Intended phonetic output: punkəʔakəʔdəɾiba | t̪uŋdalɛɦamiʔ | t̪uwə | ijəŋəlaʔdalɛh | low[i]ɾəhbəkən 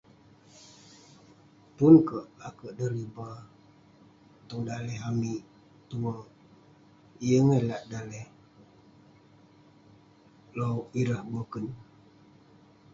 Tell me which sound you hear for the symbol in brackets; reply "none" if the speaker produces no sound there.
i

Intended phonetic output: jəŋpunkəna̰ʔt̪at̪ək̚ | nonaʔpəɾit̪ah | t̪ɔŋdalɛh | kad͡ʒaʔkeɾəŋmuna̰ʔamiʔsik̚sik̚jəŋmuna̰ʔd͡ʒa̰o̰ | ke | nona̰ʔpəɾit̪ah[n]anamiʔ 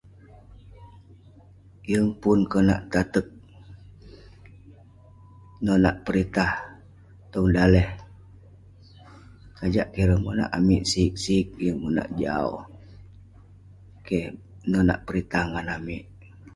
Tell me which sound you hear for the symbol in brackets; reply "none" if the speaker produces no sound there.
ŋ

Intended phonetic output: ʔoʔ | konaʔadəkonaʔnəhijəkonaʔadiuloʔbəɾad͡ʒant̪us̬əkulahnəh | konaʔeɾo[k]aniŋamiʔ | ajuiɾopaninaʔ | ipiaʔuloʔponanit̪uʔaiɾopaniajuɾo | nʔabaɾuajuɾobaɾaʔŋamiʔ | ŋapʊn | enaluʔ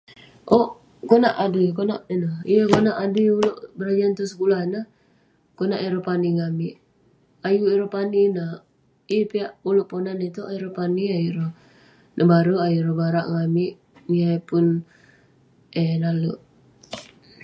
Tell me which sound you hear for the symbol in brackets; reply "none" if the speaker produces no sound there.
p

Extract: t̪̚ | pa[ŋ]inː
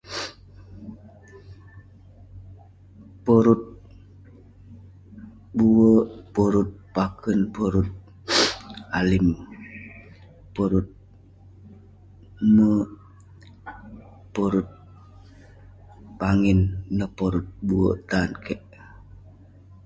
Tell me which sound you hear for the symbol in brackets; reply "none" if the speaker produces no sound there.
ŋ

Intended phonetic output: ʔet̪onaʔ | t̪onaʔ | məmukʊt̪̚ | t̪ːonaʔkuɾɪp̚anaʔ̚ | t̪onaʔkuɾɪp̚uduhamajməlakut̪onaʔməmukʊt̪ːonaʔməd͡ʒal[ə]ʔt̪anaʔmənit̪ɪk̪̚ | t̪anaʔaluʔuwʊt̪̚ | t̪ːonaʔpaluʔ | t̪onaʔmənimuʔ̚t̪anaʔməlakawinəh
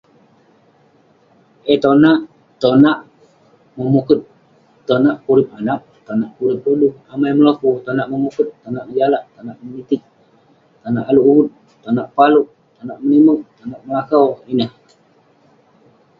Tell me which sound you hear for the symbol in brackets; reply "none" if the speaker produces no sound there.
a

